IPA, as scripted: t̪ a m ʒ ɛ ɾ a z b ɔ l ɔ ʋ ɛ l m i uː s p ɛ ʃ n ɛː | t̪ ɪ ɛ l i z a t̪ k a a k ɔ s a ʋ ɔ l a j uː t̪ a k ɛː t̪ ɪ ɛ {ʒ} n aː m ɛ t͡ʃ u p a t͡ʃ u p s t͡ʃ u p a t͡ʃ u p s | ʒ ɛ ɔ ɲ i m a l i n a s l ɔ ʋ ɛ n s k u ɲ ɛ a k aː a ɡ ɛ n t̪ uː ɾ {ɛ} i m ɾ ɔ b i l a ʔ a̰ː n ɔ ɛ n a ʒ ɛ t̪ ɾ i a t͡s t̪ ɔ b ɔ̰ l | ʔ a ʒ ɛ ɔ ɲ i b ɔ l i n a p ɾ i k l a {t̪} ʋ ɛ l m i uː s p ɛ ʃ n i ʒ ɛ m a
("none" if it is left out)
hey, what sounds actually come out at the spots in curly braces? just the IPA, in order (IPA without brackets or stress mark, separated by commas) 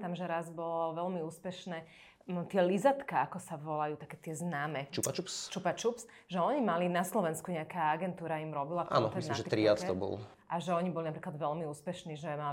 z, a, d̪